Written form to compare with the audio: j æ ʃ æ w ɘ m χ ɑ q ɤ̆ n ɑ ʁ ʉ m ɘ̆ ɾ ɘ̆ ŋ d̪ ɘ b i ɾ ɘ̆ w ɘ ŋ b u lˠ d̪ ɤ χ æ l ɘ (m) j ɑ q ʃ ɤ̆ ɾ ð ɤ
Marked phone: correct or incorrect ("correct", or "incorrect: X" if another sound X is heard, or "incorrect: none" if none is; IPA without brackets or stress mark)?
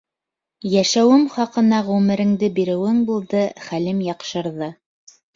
correct